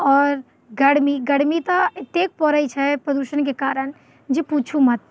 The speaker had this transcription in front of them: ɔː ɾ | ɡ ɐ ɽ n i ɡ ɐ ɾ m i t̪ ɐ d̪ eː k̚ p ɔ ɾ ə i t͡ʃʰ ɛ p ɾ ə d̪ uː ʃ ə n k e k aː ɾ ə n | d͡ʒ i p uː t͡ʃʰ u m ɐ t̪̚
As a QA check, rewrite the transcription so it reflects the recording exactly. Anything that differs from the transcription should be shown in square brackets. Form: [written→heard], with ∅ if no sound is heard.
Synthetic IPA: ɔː ɾ | ɡ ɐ ɽ [n→m] i ɡ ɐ [ɾ→ɽ] m i t̪ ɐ [d̪→t̪] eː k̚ p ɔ ɾ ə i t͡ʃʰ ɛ p ɾ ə d̪ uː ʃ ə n k e k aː ɾ ə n | d͡ʒ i p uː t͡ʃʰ u m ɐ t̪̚